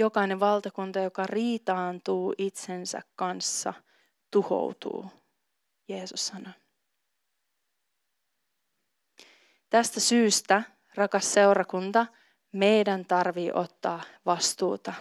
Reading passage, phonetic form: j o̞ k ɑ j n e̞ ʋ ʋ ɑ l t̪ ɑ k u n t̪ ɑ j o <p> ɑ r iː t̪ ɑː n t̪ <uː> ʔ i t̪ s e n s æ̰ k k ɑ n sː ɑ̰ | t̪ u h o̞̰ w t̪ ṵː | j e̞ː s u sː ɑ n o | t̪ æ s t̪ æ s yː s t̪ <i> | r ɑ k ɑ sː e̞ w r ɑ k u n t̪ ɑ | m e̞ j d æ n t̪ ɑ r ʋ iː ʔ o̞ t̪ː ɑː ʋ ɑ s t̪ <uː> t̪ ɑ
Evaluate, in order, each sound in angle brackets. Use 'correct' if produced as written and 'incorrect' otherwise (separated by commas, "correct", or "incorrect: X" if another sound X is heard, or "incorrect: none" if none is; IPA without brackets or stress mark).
incorrect: k, correct, incorrect: æ, correct